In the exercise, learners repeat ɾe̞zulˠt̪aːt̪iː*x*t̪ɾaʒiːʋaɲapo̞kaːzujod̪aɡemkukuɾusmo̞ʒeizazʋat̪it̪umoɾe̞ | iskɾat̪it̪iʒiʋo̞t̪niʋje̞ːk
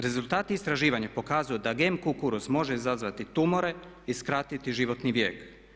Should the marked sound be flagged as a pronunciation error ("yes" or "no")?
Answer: yes